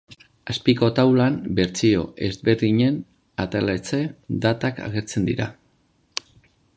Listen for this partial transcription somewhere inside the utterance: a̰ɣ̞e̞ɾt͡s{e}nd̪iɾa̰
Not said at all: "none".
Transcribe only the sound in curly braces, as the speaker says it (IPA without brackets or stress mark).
e